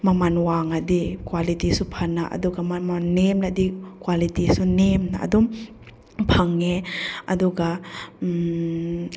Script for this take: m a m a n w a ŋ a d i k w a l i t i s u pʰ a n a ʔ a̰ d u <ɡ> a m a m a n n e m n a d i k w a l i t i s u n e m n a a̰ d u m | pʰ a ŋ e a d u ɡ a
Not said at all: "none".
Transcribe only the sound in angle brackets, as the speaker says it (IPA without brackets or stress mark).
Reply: ɡ